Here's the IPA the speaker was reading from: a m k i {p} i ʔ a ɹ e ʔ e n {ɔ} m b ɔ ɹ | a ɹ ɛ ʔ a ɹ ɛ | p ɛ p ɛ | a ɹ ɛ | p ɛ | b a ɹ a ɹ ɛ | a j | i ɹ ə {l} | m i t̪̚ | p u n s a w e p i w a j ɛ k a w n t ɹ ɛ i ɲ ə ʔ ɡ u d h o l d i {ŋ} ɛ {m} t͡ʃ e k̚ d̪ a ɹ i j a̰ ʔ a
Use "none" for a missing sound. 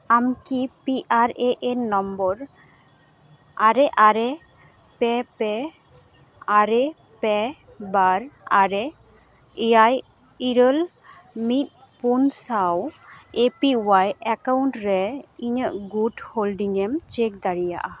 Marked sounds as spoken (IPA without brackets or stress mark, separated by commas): p, ɔ, l, ŋ, m